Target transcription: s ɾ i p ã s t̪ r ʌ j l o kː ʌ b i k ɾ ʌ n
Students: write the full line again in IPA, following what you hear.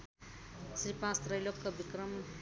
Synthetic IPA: s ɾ i p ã s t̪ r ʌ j l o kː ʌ b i k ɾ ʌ m